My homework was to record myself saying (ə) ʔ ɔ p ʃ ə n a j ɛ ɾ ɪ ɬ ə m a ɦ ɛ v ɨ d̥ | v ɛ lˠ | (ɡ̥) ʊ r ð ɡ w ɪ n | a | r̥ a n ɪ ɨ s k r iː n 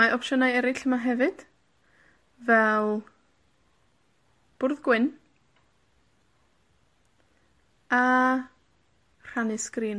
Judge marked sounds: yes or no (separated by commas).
no, no